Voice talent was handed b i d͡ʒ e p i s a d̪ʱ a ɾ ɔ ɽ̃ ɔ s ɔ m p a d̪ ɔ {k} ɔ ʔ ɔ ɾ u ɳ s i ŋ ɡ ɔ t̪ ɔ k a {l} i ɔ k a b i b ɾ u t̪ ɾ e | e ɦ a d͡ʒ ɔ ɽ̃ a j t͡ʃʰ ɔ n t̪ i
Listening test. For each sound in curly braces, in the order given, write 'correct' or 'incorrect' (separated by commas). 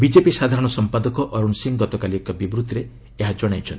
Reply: correct, correct